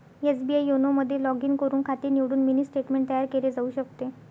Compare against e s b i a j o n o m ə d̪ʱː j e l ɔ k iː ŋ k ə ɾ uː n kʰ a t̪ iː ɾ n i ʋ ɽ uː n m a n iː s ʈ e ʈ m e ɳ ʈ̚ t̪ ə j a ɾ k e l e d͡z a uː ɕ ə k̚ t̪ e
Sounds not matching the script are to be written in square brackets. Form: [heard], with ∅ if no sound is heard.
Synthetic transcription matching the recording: e s b i a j o n o m ə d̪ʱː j e l ɔ [ɡ] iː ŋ k ə ɾ uː n kʰ a t̪ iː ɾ n i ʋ ɽ uː n m [i] n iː s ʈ e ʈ m e ɳ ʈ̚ t̪ ə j a ɾ k e l e d͡z a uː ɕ ə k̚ t̪ e